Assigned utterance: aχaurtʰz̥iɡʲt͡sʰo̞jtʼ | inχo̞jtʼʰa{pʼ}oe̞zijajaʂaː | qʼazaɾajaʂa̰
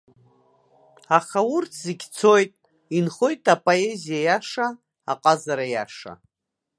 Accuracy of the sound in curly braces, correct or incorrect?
correct